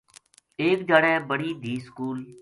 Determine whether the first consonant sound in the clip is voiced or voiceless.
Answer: voiceless